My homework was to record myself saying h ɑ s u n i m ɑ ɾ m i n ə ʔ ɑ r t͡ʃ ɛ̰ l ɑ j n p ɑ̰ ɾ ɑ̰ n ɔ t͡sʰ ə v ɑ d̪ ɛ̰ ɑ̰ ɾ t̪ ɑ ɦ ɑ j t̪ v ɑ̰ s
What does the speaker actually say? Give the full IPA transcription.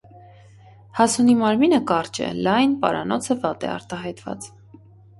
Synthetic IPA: h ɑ s u n i m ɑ ɾ m i n ə k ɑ r t͡ʃ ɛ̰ l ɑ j n p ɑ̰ ɾ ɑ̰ n ɔ t͡sʰ ə v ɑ t̪ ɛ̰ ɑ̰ ɾ t̪ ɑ ɦ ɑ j t̪ v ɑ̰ t͡s